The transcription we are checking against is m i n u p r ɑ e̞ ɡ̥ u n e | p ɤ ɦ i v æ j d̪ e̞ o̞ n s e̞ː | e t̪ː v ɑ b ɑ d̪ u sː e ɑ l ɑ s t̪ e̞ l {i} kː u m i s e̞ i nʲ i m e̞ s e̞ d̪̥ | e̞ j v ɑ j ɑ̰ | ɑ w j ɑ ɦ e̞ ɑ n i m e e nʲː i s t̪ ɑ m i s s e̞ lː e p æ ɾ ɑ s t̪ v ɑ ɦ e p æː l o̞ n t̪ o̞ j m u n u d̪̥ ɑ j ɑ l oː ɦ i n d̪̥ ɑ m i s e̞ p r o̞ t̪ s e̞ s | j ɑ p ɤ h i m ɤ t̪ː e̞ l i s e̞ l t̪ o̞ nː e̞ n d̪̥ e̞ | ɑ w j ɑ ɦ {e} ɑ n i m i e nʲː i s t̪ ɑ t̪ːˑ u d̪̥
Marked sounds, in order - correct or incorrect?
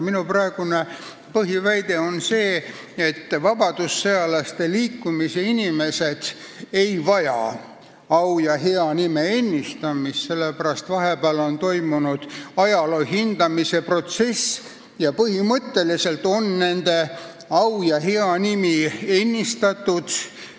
incorrect: iː, correct

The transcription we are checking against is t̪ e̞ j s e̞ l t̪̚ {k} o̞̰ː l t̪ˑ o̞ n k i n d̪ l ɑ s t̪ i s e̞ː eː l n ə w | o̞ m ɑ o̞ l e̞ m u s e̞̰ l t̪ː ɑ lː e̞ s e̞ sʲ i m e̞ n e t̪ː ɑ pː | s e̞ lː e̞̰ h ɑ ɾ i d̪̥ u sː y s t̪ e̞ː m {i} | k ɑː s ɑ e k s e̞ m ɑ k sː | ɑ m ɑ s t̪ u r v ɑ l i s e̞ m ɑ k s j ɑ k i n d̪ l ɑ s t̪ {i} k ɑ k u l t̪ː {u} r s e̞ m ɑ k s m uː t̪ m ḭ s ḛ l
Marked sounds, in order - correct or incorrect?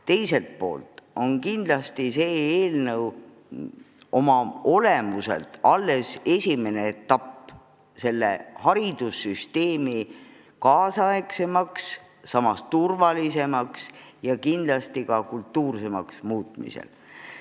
incorrect: p, correct, correct, incorrect: uː

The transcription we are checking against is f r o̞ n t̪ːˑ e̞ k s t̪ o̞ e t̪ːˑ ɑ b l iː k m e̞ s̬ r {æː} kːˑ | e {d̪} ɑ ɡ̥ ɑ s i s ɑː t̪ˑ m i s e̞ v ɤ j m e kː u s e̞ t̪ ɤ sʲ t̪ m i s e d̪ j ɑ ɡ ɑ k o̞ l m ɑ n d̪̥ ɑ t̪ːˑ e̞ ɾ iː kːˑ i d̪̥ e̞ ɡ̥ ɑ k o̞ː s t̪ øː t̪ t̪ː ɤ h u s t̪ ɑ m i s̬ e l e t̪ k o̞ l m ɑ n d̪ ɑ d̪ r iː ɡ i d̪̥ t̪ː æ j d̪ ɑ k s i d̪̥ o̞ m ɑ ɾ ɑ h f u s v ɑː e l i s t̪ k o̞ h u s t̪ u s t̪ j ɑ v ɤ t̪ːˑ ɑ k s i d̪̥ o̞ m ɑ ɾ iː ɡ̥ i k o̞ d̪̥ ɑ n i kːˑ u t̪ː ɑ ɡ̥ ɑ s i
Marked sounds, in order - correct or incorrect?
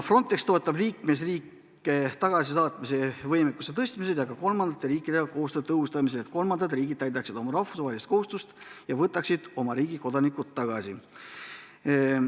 incorrect: iː, incorrect: t̪

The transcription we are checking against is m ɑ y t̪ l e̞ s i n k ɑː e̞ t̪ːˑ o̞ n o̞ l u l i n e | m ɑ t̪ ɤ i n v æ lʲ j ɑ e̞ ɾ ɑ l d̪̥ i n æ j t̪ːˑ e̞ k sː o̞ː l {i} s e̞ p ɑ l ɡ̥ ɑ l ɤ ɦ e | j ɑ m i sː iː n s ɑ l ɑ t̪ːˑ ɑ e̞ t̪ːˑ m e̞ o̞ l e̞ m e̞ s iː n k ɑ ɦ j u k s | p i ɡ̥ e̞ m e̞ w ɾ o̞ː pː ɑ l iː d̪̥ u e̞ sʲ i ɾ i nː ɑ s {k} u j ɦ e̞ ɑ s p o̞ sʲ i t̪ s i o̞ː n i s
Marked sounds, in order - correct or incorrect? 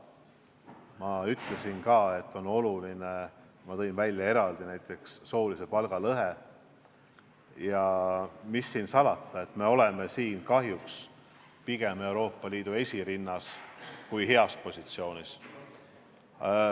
correct, correct

